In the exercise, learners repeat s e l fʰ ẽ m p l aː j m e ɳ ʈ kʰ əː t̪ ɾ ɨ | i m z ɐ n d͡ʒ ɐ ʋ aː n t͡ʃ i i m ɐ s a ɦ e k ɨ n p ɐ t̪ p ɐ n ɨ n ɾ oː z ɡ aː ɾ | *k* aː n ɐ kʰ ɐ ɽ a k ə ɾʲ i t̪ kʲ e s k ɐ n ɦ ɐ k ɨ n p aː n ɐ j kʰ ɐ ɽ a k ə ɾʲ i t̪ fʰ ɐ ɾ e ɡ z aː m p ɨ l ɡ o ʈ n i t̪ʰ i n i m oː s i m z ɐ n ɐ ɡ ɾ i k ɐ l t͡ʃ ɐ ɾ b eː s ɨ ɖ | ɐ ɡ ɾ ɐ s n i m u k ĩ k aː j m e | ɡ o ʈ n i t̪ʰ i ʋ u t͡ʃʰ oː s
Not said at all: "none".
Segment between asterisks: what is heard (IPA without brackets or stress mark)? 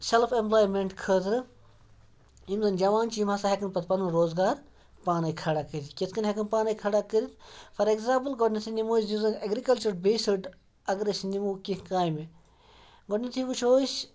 p